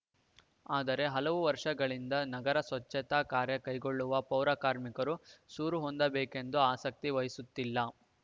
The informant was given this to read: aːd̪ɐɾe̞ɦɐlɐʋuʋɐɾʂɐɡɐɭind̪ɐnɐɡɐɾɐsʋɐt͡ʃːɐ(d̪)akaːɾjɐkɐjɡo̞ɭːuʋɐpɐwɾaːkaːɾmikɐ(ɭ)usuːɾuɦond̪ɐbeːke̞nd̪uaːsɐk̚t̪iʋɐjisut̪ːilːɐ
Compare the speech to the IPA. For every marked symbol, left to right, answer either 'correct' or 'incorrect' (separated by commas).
incorrect, incorrect